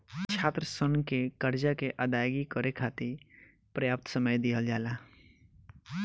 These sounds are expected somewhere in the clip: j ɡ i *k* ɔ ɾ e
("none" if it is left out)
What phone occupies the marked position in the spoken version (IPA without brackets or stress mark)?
k